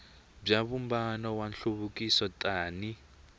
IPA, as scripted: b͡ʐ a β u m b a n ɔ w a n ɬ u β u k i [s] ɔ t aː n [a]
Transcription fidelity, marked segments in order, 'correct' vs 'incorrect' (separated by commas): correct, incorrect